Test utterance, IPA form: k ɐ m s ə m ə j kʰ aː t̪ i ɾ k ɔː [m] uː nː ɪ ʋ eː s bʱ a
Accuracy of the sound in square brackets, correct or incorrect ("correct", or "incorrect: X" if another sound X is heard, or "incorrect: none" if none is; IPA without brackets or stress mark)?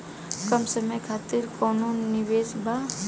incorrect: n